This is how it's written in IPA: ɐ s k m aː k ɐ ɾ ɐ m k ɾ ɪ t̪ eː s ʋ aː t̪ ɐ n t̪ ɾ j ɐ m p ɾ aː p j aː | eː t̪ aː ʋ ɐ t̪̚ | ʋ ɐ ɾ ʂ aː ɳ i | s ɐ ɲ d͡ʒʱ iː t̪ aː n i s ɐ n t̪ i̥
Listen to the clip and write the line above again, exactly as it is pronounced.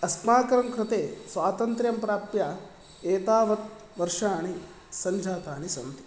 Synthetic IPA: ɐ s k m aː k ɐ ɾ ɐ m k ɾ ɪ t̪ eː s ʋ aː t̪ ɐ n t̪ ɾ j ɐ m p ɾ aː p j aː | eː t̪ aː ʋ ɐ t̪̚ | ʋ ɐ ɾ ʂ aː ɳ i | s ɐ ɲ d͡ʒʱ aː t̪ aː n i s ɐ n t̪ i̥